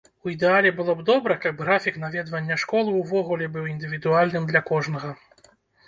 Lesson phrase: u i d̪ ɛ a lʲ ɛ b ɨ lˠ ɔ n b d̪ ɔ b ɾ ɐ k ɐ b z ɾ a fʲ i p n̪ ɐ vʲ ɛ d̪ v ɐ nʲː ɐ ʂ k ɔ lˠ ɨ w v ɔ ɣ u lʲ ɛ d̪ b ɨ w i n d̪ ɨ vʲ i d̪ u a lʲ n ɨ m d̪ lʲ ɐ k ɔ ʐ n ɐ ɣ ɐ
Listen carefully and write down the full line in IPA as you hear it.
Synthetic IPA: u i d̪ ɛ a lʲ ɛ b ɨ lˠ ɔ b d̪ ɔ b ɾ ɐ k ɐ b ɣ ɾ a fʲ i k n̪ a vʲ ɛ d̪ v ɐ nʲː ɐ ʂ k ɔ lˠ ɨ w v ɔ ɣ u lʲ ɛ b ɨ w i n d̪ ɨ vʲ i d̪ u a lʲ n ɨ m d̪ lʲ ɐ k ɔ ʐ n ɐ ɣ ɐ